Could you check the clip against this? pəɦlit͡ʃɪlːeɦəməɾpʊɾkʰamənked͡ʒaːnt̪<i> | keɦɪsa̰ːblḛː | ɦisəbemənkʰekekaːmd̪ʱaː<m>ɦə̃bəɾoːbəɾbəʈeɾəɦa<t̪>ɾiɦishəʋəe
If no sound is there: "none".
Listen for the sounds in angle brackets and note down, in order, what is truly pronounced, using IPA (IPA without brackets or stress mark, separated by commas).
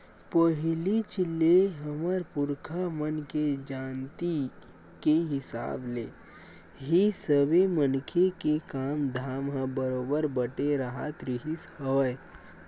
i, m, t̪